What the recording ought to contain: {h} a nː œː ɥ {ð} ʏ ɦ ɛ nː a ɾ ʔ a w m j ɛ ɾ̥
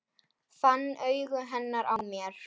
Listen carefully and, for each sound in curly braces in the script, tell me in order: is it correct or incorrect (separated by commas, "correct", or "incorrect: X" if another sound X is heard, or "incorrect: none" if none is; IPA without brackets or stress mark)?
incorrect: θ, incorrect: ɣ